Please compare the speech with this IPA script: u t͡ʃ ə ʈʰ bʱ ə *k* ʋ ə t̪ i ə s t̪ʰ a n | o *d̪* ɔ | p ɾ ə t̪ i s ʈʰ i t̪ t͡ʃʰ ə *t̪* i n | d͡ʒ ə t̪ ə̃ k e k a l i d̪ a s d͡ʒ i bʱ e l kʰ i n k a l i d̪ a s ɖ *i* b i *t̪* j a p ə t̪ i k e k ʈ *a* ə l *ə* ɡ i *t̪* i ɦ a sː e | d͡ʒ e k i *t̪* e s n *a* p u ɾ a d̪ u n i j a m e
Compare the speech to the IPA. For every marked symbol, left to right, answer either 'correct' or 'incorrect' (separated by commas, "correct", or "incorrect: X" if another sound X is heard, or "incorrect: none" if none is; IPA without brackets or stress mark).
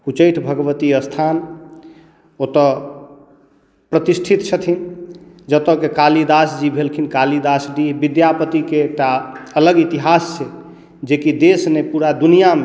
incorrect: ɡ, incorrect: t̪, incorrect: t̪ʰ, correct, incorrect: d̪, correct, correct, correct, incorrect: d̪, incorrect: e